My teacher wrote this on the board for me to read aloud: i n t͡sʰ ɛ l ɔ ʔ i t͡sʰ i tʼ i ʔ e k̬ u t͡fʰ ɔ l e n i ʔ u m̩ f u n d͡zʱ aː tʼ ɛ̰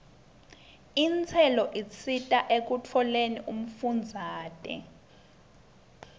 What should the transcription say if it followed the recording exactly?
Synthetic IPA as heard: i n t͡sʰ ɛ l ɔ ʔ i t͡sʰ i tʼ a ʔ e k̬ u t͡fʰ ɔ l e n i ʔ u m̩ f u n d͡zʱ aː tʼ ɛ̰